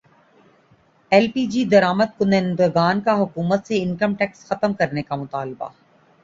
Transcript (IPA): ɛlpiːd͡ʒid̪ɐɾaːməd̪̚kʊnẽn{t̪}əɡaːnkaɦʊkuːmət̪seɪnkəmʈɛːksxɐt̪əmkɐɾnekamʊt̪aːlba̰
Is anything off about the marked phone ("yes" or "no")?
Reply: yes